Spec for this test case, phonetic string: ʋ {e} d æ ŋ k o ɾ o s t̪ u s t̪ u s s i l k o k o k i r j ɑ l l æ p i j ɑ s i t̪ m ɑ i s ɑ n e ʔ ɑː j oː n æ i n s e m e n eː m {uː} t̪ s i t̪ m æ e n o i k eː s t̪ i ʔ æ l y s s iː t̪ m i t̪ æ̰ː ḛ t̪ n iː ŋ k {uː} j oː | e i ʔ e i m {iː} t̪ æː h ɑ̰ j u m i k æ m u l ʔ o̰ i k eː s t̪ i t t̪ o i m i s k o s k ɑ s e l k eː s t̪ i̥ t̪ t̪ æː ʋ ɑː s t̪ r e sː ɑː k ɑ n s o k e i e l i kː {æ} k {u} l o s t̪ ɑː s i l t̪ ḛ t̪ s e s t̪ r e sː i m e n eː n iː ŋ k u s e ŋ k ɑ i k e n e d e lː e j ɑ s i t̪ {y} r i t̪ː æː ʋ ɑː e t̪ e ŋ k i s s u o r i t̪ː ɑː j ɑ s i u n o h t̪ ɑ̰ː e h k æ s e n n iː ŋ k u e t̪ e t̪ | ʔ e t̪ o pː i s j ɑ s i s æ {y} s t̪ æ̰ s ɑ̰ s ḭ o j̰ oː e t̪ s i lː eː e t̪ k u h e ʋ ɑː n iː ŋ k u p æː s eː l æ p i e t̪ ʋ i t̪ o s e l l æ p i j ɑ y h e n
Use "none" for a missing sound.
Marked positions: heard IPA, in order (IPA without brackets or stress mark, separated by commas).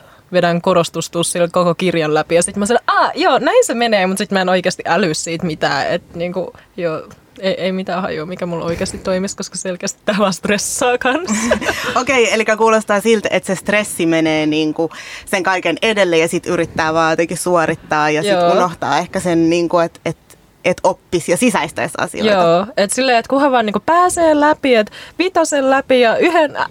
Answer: e, u, u, i, æ, uː, y, i